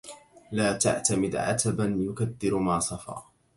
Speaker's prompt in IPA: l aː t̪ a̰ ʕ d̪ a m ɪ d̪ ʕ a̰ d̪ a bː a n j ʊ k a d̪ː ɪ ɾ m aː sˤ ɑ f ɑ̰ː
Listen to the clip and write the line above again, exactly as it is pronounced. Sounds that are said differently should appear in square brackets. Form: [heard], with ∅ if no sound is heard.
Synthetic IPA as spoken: l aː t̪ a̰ ʕ [t̪] a m ɪ d̪ ʕ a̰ [t̪] a [b] a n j ʊ k a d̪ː ɪ ɾ m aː sˤ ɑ f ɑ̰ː